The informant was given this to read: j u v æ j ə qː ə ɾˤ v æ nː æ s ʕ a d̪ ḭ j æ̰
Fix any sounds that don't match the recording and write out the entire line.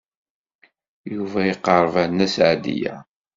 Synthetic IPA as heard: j u v æ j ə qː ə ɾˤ v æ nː æ s ʕ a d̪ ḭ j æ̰

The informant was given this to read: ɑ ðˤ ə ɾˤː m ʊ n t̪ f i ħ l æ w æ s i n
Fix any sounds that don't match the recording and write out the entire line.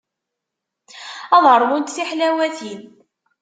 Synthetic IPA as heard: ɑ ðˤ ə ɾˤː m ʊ n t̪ θ i ħ l æ w æ θ i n

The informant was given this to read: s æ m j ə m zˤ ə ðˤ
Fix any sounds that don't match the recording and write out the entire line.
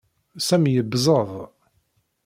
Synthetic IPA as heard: s æ m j ə b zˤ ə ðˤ

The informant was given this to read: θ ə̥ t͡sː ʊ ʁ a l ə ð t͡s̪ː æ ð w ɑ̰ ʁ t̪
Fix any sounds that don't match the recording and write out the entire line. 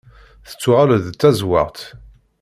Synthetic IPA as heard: θ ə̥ t͡sː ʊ ʁ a l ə ð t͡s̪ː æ z w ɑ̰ ʁ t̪

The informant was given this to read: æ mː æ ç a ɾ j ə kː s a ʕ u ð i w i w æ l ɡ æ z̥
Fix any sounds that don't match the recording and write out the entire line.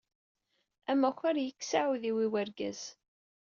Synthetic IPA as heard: æ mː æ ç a ɾ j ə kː s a ʕ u ð i w i w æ ɾ ɡ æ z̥

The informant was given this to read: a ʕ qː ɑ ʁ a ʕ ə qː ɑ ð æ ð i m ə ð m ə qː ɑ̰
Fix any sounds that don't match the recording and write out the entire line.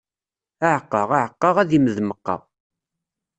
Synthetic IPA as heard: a ʕ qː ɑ ʁ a ʕ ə qː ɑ ʁ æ ð i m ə ð m ə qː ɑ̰

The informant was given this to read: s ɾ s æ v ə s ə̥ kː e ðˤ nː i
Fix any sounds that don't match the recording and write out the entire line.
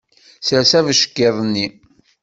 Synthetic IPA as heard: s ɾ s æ v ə ʃ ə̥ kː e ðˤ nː i

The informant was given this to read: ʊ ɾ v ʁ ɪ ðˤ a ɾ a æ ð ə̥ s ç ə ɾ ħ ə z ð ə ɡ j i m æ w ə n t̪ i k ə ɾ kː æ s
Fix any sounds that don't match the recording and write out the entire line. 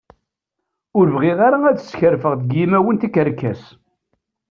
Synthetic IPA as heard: ʊ ɾ v ʁ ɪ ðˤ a ɾ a æ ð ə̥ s ç ə ɾ f ə ʁ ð ə ɡ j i m æ w ə n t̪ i k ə ɾ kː æ s

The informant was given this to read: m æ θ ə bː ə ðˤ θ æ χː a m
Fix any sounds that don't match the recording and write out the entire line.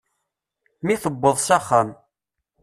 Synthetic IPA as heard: m i θ ə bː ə ðˤ s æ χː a m

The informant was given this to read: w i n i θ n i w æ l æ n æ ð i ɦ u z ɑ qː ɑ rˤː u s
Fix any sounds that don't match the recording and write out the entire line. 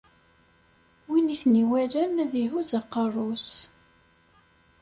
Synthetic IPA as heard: w i n i θ n i w æ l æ n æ ð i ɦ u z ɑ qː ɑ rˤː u s

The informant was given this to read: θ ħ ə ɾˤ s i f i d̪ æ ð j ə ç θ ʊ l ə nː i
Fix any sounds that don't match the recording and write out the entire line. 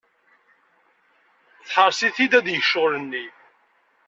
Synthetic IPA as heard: θ ħ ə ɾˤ s i θ i d̪ æ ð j ə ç ʃ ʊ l ə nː i

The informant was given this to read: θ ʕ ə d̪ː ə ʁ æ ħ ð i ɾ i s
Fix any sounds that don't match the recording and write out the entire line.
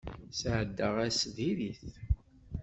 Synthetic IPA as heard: s ʕ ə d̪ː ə ʁ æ s ð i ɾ i θ

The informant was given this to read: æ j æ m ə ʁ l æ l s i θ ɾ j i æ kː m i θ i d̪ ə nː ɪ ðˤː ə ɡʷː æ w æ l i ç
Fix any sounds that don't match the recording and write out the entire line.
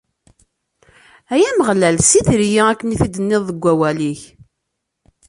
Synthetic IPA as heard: æ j æ m ə ʁ l æ l s i θ ɾ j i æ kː n i θ i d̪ ə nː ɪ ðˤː ə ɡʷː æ w æ l i ç

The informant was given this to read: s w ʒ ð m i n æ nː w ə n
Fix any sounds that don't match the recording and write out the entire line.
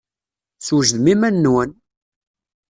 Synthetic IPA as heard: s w ʒ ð m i m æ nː w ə n

